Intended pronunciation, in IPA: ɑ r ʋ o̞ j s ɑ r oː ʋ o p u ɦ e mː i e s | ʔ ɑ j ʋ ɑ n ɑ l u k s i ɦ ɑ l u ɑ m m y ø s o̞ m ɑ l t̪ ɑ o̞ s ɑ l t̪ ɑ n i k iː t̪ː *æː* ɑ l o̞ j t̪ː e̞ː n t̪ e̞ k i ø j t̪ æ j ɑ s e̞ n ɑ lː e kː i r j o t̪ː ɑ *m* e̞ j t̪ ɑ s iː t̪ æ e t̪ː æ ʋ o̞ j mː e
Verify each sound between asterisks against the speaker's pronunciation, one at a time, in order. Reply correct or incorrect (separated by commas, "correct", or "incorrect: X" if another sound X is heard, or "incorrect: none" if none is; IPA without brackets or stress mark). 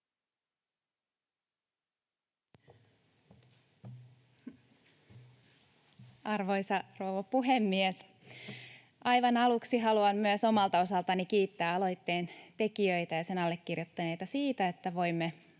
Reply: correct, incorrect: n